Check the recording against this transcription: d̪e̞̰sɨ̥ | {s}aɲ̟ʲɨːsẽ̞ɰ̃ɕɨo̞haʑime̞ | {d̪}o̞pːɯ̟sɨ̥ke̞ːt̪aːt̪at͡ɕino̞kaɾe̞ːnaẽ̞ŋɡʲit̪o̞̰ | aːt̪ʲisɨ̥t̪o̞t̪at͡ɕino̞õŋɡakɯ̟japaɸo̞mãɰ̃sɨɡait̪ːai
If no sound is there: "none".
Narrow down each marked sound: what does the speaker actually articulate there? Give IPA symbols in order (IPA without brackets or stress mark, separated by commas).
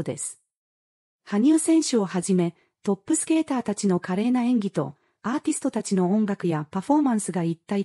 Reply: h, t̪